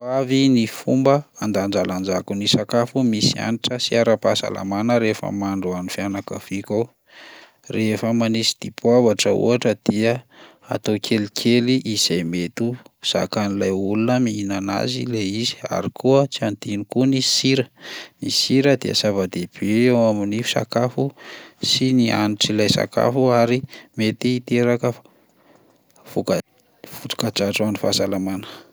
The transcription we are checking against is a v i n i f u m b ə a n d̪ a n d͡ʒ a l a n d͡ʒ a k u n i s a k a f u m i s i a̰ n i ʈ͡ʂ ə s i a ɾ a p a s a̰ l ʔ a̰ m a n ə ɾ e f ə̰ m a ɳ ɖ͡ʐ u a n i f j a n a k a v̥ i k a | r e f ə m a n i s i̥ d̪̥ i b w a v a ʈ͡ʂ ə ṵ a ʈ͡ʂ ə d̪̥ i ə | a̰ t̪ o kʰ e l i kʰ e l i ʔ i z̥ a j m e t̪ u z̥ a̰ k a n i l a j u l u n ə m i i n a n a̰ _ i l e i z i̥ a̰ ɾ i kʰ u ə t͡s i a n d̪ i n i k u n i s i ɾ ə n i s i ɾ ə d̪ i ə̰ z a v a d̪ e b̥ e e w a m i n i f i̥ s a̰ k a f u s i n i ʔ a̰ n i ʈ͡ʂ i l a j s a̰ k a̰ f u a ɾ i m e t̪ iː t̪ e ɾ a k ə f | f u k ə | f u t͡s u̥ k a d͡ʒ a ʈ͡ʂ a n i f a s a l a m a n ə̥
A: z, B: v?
A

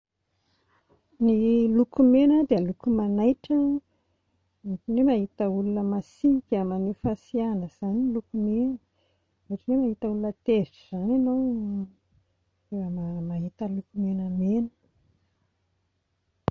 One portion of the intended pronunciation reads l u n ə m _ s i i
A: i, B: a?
B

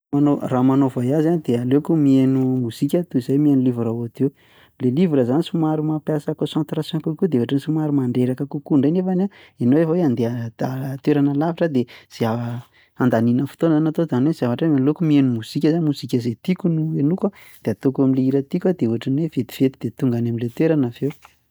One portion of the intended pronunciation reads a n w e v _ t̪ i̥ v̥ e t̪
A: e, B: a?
A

